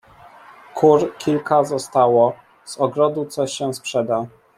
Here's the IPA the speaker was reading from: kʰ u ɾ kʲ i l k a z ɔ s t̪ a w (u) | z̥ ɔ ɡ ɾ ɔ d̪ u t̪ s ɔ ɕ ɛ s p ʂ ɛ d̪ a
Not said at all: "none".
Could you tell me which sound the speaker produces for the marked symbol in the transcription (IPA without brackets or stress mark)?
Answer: ɔ